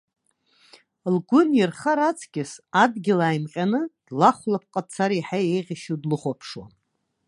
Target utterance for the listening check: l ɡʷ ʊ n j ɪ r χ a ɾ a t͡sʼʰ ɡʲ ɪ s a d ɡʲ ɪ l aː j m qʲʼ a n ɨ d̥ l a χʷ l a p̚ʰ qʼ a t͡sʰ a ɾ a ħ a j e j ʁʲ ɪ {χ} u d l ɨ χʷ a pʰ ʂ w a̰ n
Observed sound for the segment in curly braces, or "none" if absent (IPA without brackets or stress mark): ʃ